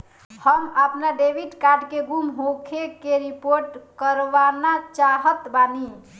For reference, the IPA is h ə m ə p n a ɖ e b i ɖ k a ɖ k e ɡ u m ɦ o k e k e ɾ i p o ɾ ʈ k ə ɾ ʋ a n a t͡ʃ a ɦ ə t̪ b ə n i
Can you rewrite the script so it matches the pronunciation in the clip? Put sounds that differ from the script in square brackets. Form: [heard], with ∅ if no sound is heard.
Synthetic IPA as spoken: h ə m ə p n a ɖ e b i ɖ k a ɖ k e ɡ u m ɦ o [kʰ] e k e ɾ i p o ɾ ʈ k ə ɾ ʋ a n a t͡ʃ a ɦ ə t̪ b [a] n i

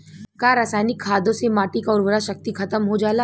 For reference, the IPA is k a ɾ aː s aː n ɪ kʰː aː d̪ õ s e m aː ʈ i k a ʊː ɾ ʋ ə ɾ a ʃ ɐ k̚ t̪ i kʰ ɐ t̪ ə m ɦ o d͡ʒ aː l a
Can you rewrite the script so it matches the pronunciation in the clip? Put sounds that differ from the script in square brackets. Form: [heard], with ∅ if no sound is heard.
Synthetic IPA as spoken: k a ɾ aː s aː n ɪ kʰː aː d̪ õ s e m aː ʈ i k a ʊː ɾ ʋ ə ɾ a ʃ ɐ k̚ t̪ i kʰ ɐ t̪ ə m ɦ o d͡ʒ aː l a

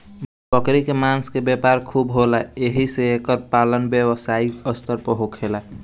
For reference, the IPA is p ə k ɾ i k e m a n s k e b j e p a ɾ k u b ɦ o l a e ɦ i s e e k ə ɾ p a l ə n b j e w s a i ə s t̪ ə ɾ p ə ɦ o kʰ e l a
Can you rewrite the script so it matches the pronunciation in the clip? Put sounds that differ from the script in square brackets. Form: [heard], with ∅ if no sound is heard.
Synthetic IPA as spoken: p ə k ɾ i k e m a n s k e b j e p a ɾ [kʰ] u b ɦ o l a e ɦ i s e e k ə ɾ p a l ə n b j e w s a i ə s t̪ ə ɾ p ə ɦ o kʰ e l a

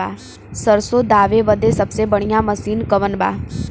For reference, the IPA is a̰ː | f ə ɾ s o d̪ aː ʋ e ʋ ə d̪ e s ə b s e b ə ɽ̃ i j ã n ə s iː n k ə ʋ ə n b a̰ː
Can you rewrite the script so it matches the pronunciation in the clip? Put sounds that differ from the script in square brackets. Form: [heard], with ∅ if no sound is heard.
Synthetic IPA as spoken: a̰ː | [s] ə ɾ s o d̪ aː ʋ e ʋ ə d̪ e s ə b s e b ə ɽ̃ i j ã [m] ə s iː n k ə ʋ ə n b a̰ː

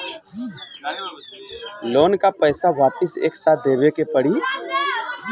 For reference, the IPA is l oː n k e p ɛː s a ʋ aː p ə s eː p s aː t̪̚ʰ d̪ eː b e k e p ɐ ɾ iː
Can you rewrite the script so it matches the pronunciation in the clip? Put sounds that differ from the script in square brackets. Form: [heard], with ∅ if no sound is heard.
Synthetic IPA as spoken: l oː n k [a] p ɛː s a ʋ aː p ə s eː [k] s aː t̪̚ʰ d̪ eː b e k e p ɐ [ɽ] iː

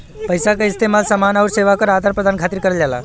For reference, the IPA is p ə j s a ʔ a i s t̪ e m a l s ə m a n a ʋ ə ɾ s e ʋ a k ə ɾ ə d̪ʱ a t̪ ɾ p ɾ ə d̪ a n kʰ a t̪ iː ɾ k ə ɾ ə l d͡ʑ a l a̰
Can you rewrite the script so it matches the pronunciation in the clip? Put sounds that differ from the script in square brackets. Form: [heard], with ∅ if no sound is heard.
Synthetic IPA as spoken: p ə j s a [k] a i s t̪ e m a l s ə m a n a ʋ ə ɾ s e ʋ a k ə ɾ [a] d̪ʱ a [∅] ɾ p ɾ ə d̪ a n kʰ a t̪ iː ɾ k ə ɾ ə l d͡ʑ a l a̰

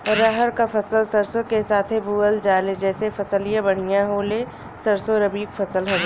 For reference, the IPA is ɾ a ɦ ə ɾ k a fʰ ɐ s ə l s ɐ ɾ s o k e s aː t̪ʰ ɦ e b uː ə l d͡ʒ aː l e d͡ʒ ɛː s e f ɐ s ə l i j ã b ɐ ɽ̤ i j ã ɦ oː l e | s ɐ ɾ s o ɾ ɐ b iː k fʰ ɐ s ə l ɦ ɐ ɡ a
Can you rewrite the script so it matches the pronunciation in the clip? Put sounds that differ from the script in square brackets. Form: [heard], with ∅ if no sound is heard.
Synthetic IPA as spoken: ɾ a ɦ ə ɾ k a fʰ ɐ s ə l s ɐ ɾ s o k e s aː t̪ʰ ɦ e b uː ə l d͡ʒ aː l e d͡ʒ ɛː s e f ɐ s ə l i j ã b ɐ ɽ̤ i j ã ɦ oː l e | s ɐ ɾ s o ɾ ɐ b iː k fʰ ɐ s ə l ɦ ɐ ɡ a

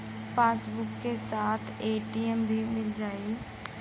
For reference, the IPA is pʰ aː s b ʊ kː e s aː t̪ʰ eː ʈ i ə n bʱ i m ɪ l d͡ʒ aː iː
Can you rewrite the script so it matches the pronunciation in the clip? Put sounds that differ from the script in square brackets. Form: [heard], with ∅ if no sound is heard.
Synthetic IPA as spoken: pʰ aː s b ʊ kː e s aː t̪ʰ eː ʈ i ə [m] bʱ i m ɪ l d͡ʒ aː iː

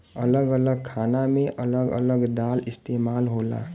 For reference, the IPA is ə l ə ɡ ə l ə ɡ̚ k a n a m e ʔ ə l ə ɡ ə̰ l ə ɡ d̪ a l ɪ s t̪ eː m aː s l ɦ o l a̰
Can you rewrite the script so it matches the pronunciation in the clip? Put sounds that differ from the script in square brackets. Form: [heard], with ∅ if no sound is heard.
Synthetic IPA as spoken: ə l ə ɡ ə l ə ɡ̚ [kʰ] a n a m e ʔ ə l ə ɡ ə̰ l ə ɡ d̪ a l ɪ s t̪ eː m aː [∅] l ɦ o l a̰

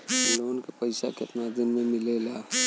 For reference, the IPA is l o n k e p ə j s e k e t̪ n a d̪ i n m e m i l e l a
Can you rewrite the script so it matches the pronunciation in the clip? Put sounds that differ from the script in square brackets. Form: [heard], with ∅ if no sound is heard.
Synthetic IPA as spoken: l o n k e p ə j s [a] k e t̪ n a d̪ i n m e m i l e l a

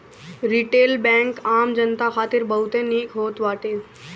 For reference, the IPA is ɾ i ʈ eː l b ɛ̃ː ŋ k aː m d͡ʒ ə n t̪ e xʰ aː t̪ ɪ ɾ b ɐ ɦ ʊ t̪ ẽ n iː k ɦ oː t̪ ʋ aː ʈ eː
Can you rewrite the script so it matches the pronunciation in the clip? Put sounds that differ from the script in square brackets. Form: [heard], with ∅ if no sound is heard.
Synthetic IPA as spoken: ɾ i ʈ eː l b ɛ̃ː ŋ k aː m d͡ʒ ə n t̪ [a] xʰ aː t̪ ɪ ɾ b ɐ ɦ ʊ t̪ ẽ n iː k ɦ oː t̪ ʋ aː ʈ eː

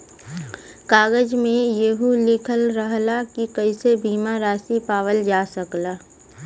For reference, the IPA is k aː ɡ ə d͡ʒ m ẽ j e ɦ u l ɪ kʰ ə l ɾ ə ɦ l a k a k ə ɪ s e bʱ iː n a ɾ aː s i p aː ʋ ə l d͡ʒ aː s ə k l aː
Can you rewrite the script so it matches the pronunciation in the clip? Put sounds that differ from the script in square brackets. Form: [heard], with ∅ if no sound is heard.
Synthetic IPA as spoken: k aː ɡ ə d͡ʒ m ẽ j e ɦ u l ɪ kʰ ə l ɾ ə ɦ l a k [i] k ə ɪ s e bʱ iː [m] a ɾ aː s i p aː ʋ ə l d͡ʒ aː s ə k l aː

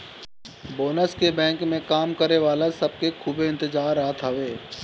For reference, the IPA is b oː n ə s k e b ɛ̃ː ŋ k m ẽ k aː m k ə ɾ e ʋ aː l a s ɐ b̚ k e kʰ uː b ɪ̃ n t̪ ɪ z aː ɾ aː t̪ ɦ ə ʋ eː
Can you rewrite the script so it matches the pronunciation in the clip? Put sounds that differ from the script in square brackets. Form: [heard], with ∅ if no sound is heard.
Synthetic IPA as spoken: b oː n ə s k e b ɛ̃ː ŋ k m ẽ k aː m k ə ɾ e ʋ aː l a s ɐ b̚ k e kʰ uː b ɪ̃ n t̪ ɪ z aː ɾ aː t̪ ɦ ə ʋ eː

